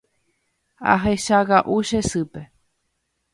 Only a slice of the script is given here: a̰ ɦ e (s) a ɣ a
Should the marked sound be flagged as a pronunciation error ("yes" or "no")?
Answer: yes